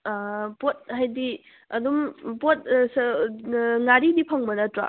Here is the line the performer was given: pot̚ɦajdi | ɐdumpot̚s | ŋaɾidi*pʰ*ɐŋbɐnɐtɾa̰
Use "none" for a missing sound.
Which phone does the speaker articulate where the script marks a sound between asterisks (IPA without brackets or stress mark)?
pʰ